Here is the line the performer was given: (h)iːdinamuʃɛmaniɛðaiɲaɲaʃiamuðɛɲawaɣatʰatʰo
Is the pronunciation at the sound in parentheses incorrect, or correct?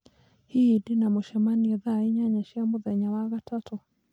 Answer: correct